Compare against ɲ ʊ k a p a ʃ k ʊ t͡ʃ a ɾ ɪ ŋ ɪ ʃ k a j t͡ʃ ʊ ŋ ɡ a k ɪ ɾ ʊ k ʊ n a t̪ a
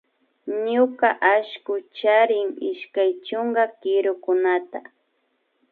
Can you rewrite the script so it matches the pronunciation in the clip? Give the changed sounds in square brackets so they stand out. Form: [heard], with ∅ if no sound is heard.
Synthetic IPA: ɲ ʊ k a [ʔ] a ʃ k ʊ t͡ʃ a ɾ ɪ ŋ ɪ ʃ k a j t͡ʃ ʊ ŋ ɡ a k ɪ ɾ ʊ k ʊ n a t̪ a